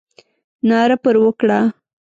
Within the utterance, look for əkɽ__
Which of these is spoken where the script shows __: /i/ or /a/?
a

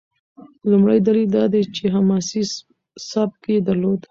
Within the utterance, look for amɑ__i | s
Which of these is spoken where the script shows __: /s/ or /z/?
s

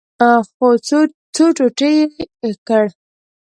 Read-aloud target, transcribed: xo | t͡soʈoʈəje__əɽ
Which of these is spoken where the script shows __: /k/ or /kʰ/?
k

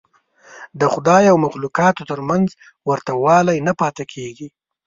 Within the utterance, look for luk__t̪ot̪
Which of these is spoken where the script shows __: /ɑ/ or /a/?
ɑ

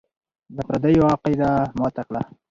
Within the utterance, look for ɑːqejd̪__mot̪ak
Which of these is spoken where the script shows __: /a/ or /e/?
a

